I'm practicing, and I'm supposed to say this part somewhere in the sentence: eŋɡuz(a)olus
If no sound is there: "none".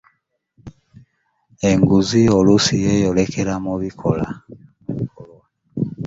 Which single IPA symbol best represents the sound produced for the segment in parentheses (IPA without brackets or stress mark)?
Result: i